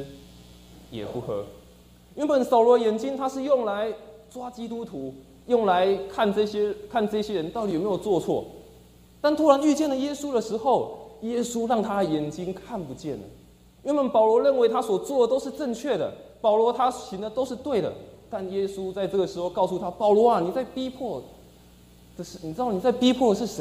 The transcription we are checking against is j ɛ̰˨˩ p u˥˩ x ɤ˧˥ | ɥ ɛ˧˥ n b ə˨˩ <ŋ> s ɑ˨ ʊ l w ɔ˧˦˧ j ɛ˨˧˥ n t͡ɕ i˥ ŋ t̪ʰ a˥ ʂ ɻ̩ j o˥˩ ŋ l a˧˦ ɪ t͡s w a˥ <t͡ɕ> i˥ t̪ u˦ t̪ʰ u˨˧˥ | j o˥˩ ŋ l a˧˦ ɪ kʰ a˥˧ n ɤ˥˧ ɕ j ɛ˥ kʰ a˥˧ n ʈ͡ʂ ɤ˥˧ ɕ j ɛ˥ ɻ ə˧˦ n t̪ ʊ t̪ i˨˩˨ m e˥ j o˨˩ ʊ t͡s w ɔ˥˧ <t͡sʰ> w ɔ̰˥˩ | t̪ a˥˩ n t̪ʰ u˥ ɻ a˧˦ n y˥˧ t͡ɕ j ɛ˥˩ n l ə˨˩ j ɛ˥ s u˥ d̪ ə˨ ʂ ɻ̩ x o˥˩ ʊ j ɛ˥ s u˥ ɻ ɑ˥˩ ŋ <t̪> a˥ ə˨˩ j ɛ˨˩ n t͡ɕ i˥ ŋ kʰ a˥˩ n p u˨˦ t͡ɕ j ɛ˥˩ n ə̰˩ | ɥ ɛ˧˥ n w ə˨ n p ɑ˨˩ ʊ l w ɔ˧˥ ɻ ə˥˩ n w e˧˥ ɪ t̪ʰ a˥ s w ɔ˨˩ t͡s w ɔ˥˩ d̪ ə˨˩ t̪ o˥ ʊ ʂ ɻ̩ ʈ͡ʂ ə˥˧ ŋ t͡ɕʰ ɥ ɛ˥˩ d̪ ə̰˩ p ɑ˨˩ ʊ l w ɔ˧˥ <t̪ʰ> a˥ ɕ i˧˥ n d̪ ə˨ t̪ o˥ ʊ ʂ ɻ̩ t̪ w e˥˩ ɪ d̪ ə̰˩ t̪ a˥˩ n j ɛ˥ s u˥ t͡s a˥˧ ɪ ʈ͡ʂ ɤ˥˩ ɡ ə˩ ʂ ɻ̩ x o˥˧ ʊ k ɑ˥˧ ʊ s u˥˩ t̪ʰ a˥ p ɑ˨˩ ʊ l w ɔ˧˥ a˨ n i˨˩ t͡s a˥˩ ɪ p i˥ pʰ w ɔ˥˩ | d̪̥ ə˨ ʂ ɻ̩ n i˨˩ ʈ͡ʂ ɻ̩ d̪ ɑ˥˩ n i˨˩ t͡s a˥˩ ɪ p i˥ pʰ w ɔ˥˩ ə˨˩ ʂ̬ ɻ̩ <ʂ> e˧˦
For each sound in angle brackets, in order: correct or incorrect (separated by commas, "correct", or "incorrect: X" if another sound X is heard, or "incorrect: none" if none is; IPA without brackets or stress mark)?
incorrect: n, correct, correct, incorrect: t̪ʰ, correct, correct